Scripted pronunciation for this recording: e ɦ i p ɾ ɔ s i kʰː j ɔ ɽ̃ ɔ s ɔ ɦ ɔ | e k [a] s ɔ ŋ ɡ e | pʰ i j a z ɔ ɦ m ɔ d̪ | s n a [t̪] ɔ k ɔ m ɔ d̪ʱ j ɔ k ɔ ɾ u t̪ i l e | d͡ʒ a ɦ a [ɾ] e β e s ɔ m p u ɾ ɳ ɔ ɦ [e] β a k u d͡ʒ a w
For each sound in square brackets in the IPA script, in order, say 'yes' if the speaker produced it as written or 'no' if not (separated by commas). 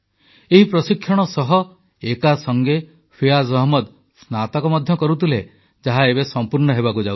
yes, yes, no, yes